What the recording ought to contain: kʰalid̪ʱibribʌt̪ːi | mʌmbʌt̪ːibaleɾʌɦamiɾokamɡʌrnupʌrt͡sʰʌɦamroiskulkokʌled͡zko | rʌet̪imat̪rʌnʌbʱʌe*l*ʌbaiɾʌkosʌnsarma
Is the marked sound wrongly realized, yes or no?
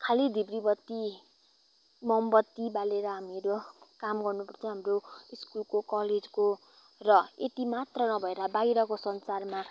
yes